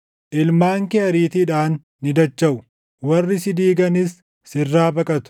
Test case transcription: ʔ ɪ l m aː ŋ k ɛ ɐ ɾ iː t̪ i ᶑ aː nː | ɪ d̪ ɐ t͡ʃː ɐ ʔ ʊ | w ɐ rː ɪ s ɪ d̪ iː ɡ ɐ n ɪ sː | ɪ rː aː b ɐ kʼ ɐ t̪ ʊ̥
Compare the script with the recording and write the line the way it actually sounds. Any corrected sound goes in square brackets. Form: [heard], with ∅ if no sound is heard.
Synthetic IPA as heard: ʔ ɪ l m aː ŋ k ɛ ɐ ɾ iː t̪ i ᶑ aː nː | ɪ d̪ ɐ t͡ʃː ɐ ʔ ʊ | w ɐ rː ɪ s ɪ d̪ iː ɡ ɐ n ɪ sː | ɪ rː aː b ɐ kʼ ɐ t̪ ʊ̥